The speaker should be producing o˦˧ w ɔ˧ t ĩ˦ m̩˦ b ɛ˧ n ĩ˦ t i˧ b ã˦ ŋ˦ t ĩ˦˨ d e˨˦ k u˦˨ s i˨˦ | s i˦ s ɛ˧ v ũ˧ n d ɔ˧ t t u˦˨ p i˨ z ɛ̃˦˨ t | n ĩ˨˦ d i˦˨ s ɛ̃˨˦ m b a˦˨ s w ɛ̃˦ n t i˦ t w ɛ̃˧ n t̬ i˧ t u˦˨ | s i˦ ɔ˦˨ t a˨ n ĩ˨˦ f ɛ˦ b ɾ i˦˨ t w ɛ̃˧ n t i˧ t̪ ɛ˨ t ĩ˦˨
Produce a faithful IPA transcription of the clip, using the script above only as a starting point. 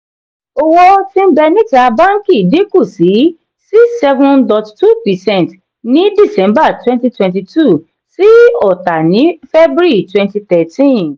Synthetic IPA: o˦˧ w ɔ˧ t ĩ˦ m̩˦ b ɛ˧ n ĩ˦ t a˧ b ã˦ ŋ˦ k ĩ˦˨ d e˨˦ k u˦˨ s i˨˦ | s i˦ s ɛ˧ v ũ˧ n d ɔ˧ t t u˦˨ p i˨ s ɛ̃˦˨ t | n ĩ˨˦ d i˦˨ s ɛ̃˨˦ m b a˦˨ t w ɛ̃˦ n t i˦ t w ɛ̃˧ n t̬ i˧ t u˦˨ | s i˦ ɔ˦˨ t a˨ n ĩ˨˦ f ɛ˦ b ɾ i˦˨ t w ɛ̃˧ n t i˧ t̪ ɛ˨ t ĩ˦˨